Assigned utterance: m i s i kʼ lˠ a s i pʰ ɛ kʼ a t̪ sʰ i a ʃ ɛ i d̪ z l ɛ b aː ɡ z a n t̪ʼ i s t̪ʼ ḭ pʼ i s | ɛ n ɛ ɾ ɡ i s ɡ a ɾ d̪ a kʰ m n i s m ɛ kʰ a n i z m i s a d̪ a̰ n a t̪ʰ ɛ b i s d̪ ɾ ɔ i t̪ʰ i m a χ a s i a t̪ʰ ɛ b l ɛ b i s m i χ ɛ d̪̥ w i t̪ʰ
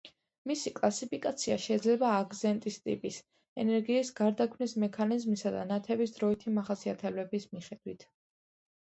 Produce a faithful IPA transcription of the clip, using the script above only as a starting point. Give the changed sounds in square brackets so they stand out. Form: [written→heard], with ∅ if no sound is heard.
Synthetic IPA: m i s i kʼ lˠ a s i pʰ [ɛ→i] kʼ a t̪ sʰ i a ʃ ɛ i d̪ z l ɛ b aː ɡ z [a→ɛ] n t̪ʼ i s t̪ʼ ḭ pʼ i s | ɛ n ɛ ɾ ɡ [i→iː] s ɡ a ɾ d̪ a kʰ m n i s m ɛ kʰ a n i z m i s a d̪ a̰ n a t̪ʰ ɛ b i s d̪ ɾ ɔ i t̪ʰ i m a χ a s i a t̪ʰ ɛ b l ɛ b i s m i χ ɛ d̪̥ w i t̪ʰ